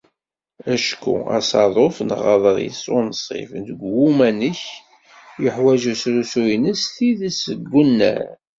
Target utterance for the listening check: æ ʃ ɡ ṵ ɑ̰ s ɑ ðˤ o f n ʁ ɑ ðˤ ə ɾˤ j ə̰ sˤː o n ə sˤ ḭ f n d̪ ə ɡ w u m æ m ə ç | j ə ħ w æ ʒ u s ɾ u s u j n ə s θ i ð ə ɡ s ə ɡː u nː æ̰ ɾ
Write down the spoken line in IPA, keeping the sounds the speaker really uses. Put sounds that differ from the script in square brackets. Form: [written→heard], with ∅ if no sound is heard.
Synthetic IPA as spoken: æ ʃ [ɡ→k] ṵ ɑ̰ s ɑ ðˤ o f n ʁ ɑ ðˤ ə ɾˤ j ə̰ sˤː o n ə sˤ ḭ f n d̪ ə ɡ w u m æ [m→n] ə ç | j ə ħ w æ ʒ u s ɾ u s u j n ə s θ i ð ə [ɡ→∅] s ə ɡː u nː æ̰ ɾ